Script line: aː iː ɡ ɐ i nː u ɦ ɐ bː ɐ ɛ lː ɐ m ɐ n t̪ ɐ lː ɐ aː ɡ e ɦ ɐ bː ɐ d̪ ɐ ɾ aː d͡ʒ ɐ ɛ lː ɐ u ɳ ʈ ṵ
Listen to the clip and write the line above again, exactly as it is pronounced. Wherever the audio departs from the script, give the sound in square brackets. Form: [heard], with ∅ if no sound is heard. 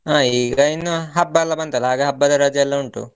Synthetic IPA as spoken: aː iː ɡ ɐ i nː u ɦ ɐ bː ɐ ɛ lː ɐ [b] ɐ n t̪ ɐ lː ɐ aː ɡ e ɦ ɐ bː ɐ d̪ ɐ ɾ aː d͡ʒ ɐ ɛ lː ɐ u ɳ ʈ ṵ